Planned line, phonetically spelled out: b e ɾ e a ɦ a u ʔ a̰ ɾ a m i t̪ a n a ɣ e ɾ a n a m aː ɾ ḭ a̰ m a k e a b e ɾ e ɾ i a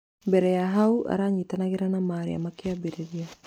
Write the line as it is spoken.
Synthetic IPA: b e ɾ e a ɦ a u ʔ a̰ ɾ a ɲ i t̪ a n a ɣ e ɾ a n a m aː ɾ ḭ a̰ m a k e a b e ɾ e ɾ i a